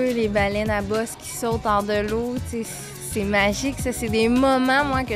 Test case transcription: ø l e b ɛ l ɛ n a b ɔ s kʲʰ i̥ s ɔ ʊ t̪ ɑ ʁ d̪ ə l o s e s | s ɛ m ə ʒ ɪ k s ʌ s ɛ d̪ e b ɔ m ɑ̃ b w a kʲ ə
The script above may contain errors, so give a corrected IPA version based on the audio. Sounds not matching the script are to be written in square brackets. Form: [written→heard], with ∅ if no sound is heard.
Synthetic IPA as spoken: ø l e b [ɛ→a] l ɛ n a b ɔ s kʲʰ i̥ s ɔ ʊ t̪ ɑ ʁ d̪ ə l o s e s | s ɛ m [ə→a] ʒ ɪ k s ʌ s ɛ d̪ e [b→m] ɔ m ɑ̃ [b→m] w a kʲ ə